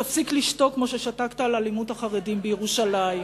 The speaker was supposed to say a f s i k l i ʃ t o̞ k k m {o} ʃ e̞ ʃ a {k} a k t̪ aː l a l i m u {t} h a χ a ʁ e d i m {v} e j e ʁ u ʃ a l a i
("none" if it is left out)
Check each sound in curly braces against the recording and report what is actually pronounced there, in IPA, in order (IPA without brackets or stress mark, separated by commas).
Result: o, t, t, b